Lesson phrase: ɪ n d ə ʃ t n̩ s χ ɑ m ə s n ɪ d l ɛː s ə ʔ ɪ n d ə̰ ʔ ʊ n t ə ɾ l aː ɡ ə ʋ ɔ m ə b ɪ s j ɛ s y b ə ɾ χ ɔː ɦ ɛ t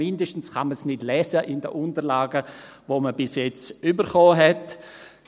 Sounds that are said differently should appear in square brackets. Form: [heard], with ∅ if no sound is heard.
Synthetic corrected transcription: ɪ n d ə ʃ t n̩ s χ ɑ m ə s n ɪ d l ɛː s ə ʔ ɪ n d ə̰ ʔ ʊ n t ə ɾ l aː ɡ ə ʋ [o] m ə b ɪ s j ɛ [t͡s] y b ə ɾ χ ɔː ɦ ɛ t